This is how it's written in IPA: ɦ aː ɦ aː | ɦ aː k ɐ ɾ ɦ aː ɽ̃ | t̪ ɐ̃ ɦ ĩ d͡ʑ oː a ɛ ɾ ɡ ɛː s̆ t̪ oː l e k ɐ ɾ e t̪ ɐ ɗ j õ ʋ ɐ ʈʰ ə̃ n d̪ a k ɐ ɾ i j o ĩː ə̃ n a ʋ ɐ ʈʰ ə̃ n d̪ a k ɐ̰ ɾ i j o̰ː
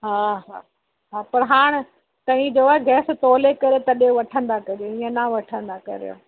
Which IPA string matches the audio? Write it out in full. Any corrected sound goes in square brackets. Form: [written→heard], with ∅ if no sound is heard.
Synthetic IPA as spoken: ɦ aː ɦ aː | ɦ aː [k→p] ɐ ɾ ɦ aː ɽ̃ | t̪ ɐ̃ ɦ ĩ d͡ʑ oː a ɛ [ɾ→∅] ɡ ɛː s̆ t̪ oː l e k ɐ ɾ e t̪ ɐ ɗ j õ ʋ ɐ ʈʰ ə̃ n d̪ a k ɐ ɾ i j o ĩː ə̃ n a ʋ ɐ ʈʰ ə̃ n d̪ a k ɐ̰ ɾ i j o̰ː